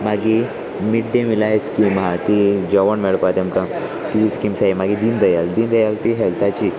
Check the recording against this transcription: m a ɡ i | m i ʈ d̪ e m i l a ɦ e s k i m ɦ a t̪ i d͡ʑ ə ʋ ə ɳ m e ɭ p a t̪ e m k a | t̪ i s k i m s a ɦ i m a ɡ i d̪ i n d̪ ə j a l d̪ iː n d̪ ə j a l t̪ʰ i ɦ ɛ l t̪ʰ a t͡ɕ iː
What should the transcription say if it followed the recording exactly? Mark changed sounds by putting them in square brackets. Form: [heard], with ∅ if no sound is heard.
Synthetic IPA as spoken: m a ɡ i | m i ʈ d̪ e m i l a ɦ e s k i m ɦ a t̪ i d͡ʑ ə ʋ ə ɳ m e ɭ p a t̪ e m k a | t̪ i s k i m s a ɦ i m a ɡ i d̪ i n d̪ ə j a l d̪ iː n d̪ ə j a l [t̪] i ɦ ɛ l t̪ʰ a t͡ɕ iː